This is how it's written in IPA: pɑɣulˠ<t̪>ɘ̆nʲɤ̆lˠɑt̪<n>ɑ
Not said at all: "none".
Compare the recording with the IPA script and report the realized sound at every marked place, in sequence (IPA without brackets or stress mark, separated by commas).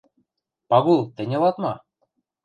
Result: t̪, m